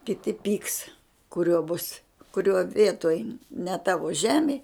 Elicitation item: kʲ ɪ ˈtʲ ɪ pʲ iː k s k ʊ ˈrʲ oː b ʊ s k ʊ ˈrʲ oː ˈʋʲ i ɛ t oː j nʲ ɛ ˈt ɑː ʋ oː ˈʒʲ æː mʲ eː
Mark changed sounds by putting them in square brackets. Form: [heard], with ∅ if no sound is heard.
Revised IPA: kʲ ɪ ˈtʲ ɪ pʲ iː k s k ʊ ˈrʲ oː b ʊ s k ʊ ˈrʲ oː ˈʋʲ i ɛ t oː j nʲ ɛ ˈt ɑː ʋ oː ˈʒʲ æː mʲ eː